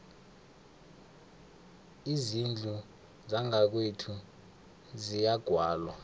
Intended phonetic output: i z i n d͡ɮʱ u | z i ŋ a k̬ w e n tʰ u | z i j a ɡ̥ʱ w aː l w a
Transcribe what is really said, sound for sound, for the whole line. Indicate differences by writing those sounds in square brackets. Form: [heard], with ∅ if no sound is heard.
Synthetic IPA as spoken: i z i n d͡ɮʱ u | z [a] ŋ a k̬ w e [∅] tʰ u | z i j a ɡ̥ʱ w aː l w a